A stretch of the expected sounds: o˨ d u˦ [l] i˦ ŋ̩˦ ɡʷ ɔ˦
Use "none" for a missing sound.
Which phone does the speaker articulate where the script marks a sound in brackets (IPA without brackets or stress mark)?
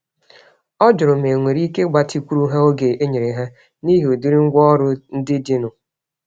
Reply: ɾ